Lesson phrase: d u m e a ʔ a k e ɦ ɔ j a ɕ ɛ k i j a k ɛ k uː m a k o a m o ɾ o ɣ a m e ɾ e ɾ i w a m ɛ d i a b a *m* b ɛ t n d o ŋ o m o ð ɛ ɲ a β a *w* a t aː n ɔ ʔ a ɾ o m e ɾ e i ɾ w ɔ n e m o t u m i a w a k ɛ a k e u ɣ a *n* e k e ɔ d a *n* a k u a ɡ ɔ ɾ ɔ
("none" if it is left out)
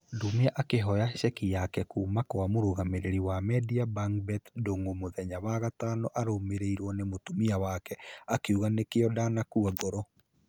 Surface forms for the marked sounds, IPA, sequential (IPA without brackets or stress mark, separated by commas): ŋ, ɣ, n, n